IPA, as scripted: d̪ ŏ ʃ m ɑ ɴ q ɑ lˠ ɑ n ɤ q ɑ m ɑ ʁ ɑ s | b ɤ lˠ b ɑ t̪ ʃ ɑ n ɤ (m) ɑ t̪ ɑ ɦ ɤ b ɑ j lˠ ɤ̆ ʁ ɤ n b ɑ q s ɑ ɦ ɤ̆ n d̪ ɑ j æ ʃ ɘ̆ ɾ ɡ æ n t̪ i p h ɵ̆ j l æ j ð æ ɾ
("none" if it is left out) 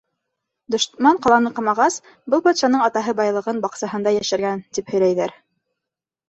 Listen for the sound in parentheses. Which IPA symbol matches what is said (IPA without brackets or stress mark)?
ɴ